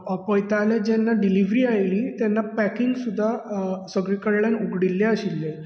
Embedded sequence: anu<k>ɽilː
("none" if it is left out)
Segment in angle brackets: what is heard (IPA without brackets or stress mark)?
ɡ